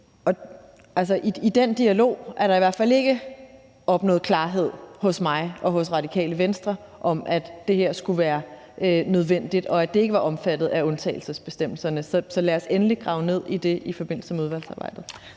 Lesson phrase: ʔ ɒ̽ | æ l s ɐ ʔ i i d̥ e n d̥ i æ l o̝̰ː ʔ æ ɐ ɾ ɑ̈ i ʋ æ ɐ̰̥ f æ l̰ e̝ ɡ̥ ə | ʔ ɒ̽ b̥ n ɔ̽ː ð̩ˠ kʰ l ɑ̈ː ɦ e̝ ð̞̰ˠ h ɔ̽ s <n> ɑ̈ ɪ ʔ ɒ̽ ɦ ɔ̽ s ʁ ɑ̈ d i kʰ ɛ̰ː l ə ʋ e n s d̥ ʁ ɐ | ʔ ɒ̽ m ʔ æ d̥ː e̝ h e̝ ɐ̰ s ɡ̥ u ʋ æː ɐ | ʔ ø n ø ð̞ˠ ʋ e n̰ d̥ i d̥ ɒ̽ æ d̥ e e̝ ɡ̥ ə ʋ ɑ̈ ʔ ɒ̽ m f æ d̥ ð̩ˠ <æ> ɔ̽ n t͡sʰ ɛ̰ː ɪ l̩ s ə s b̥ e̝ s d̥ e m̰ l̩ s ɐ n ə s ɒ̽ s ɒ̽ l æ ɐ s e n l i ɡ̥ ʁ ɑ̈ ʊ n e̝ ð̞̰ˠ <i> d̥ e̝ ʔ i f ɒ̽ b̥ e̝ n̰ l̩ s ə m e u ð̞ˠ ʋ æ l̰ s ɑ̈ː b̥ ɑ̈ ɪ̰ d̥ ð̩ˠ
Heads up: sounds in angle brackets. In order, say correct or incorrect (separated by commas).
incorrect, correct, correct